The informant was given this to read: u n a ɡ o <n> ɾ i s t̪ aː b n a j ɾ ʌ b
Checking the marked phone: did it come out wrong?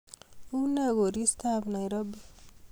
yes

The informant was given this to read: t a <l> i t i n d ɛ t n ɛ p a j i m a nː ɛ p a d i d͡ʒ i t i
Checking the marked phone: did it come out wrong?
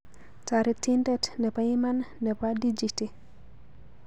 yes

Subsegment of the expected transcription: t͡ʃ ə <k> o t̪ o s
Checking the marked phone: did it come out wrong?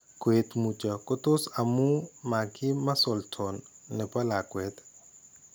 no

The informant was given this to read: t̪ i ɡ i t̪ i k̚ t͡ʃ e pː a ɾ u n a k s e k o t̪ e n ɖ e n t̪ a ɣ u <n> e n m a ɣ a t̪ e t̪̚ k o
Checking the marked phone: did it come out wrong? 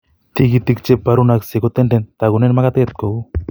no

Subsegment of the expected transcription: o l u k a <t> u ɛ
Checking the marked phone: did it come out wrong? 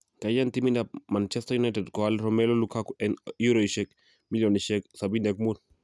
yes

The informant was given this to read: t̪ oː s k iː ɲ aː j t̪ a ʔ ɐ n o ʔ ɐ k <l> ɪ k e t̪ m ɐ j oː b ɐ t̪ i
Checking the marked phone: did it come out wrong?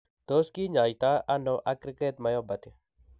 yes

